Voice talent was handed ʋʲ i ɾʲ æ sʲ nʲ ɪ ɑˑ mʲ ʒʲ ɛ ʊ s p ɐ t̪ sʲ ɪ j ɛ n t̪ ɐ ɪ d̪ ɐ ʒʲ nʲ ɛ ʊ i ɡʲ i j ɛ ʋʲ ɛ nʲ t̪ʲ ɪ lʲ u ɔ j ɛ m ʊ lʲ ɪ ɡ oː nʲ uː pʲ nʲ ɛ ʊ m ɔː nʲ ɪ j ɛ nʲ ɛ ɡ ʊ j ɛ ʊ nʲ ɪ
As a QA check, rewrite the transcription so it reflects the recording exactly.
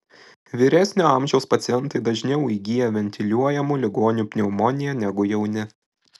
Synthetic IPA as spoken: ʋʲ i ɾʲ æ sʲ nʲ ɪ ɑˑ mʲ ʒʲ ɛ ʊ s p ɐ t̪ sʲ ɪ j ɛ n t̪ ɐ ɪ d̪ ɐ ʒʲ nʲ ɛ ʊ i ɡʲ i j ɛ ʋʲ ɛ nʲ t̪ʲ ɪ lʲ u ɔ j ɛ m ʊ lʲ ɪ ɡ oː nʲ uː pʲ nʲ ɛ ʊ m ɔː nʲ ɪ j ɛ nʲ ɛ ɡ ʊ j ɛ ʊ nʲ ɪ